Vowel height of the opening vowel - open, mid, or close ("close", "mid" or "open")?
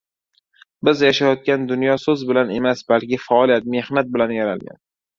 close